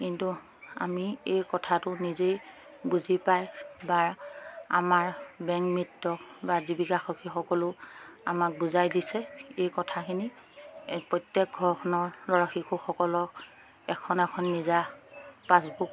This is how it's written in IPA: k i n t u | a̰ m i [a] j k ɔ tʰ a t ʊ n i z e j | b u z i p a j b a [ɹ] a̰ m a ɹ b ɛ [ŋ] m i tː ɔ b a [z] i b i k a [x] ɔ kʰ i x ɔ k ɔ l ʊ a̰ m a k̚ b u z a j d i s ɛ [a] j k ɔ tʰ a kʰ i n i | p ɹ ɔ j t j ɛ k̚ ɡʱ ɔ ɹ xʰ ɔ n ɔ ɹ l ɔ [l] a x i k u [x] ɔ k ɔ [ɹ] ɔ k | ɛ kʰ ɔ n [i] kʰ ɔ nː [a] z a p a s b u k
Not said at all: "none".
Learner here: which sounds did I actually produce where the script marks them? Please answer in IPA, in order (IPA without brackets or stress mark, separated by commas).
e, ɹ, ŋ, z, x, e, ɹ, x, l, ɛ, i